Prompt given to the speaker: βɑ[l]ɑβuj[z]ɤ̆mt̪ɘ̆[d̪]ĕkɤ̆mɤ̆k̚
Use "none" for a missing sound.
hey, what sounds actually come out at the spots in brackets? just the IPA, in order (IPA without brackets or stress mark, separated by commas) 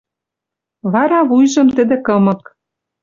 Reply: ɾ, ʒ, d̪